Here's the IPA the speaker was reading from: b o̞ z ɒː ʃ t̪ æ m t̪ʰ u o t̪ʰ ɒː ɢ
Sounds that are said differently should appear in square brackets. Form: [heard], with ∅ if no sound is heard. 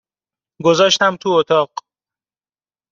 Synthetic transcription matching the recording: [ɡ] o̞ z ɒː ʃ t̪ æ m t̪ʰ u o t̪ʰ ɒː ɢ